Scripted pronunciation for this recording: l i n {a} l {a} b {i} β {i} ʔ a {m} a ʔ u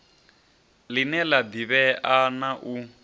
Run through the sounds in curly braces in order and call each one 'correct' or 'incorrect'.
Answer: incorrect, correct, correct, incorrect, incorrect

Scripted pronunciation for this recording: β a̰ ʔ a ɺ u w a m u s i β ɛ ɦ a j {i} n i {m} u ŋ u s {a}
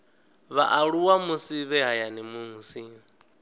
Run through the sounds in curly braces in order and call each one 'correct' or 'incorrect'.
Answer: incorrect, correct, incorrect

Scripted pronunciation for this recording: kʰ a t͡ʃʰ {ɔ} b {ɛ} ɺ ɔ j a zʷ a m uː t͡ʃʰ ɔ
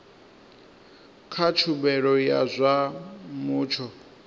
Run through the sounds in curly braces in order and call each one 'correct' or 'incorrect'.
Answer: incorrect, correct

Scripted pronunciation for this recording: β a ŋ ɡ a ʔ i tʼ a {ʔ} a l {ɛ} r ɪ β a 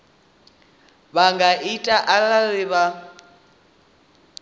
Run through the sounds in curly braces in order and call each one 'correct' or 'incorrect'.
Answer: correct, incorrect

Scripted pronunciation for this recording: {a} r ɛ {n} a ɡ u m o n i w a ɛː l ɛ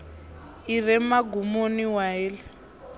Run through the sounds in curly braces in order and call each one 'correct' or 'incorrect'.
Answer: incorrect, incorrect

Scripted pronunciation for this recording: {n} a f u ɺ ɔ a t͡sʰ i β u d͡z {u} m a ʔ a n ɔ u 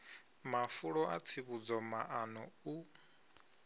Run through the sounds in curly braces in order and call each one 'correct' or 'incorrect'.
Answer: incorrect, incorrect

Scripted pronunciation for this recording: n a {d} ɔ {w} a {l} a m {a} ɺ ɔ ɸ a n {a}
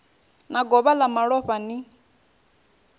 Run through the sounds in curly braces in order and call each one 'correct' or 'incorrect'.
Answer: incorrect, incorrect, correct, correct, incorrect

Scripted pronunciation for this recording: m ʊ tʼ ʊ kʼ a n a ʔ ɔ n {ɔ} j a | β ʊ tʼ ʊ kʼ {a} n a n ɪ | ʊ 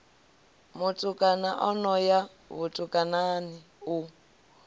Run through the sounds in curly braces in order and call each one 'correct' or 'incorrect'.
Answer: correct, correct

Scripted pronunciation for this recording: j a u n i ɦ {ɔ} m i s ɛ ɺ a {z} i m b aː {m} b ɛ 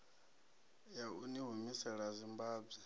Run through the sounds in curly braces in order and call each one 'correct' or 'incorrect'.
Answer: incorrect, correct, incorrect

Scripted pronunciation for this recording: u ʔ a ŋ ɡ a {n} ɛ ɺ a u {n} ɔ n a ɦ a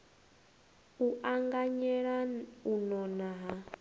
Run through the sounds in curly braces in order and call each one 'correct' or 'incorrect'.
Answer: incorrect, correct

